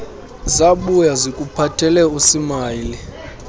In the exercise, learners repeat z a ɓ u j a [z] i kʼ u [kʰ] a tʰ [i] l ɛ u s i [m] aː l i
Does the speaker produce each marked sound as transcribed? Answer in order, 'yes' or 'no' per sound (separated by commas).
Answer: yes, no, no, yes